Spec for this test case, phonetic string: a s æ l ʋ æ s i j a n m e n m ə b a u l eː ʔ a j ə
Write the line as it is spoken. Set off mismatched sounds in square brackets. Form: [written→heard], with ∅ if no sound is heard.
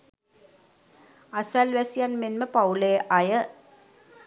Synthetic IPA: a s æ l ʋ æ s i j a n m e n m ə [b→p] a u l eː ʔ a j ə

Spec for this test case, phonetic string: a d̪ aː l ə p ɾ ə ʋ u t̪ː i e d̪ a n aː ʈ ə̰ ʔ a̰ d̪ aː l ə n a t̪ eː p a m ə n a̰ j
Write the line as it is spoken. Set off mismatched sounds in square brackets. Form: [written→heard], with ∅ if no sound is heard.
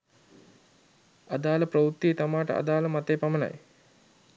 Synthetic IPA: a d̪ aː l ə p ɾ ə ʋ u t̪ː i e [d̪→t̪] a [n→m] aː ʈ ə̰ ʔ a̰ d̪ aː l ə [n→m] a t̪ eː p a m ə n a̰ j

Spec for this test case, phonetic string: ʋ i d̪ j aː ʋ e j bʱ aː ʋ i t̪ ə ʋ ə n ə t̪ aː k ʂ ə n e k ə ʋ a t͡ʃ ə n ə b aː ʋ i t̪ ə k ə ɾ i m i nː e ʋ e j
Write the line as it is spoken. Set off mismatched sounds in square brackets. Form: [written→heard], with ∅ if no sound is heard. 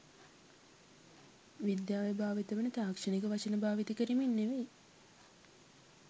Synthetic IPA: ʋ i d̪ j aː ʋ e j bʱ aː ʋ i t̪ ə ʋ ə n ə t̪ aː k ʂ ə n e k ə ʋ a t͡ʃ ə n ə b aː ʋ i t̪ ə k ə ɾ i m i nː e ʋ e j

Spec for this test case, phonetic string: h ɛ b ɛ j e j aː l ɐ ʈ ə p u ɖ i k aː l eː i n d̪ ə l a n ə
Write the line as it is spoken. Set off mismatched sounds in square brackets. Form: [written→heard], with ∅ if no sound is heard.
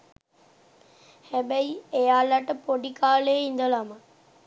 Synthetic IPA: h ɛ b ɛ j e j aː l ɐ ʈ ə p [u→o] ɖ i k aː l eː i n d̪ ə l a [n→m] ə

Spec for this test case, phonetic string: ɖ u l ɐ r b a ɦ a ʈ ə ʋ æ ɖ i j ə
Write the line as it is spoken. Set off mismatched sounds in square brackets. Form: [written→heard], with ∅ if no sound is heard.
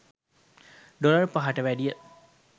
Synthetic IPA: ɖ [u→o] l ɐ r [b→p] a ɦ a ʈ ə ʋ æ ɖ i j ə

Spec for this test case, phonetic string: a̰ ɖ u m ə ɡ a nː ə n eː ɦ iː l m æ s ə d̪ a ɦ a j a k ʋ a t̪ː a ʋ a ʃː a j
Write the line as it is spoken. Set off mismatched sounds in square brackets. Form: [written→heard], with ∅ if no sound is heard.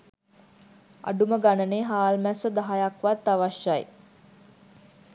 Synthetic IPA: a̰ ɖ u m ə ɡ a [nː→n] ə n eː ɦ [iː→aː] l m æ s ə d̪ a ɦ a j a k ʋ a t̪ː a ʋ a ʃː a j

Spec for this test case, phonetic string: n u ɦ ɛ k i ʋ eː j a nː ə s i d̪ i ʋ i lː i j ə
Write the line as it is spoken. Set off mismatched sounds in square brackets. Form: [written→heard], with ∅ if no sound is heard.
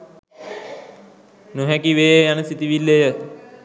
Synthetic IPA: n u ɦ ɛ k i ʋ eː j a [nː→n] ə s i [d̪→t̪] i ʋ i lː [i→e] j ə

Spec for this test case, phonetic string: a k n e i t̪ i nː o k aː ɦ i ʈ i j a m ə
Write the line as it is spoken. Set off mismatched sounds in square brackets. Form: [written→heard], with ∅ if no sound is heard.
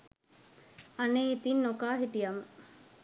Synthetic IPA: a [k→∅] n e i t̪ i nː o k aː ɦ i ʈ i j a m ə

